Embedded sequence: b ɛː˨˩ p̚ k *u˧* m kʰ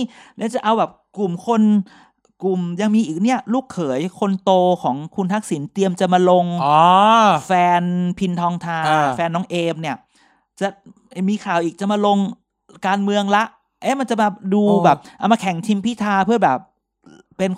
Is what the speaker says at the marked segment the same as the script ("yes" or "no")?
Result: no